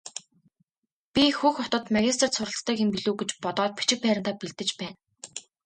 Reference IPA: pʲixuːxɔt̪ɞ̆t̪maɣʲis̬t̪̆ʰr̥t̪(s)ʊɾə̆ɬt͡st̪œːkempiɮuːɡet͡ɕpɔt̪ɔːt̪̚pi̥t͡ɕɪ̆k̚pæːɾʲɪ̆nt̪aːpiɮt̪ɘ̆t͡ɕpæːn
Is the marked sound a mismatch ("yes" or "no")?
no